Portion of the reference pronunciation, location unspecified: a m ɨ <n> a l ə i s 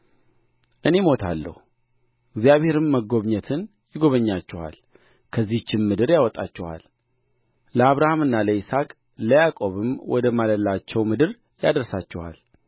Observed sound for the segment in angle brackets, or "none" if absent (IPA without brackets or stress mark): nː